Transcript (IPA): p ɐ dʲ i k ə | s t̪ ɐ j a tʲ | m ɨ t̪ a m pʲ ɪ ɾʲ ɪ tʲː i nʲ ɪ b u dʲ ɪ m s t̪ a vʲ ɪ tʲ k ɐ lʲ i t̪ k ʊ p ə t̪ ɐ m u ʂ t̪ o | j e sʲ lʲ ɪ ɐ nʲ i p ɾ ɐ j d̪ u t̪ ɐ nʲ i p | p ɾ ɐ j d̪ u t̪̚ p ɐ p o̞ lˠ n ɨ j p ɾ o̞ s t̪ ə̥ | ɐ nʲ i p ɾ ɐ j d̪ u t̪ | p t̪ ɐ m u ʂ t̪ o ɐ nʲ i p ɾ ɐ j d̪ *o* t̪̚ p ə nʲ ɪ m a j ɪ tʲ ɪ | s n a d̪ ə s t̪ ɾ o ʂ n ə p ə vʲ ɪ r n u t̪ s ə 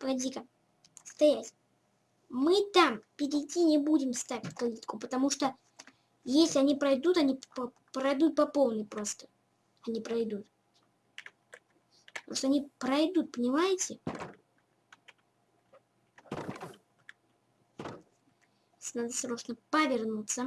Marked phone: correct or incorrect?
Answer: incorrect